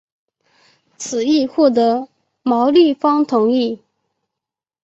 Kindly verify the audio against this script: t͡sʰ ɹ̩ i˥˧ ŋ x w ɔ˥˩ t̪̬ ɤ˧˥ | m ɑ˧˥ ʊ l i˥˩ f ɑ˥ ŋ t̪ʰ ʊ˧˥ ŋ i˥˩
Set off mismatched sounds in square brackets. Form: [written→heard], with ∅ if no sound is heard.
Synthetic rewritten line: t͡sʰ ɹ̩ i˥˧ [ŋ→∅] x w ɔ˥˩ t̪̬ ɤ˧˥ | m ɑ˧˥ ʊ l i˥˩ f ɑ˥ ŋ t̪ʰ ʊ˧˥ ŋ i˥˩